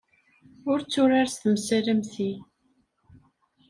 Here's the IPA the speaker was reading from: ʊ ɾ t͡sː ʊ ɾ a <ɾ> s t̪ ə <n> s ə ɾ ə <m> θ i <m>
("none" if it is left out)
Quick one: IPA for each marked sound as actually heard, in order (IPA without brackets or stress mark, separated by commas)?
ɾ, m, m, none